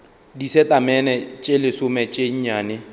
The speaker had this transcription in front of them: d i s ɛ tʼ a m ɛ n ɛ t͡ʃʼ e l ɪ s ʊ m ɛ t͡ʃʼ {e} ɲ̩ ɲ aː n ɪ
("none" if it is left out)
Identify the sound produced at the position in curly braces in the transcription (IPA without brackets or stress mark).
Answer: e